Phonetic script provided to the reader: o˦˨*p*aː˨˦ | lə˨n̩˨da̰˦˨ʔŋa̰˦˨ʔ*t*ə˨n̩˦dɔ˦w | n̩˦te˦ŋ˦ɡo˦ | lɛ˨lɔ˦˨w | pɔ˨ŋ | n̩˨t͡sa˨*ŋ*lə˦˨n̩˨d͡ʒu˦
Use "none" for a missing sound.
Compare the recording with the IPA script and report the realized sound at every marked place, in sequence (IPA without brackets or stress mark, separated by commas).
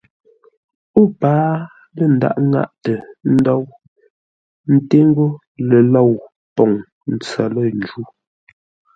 p, t, none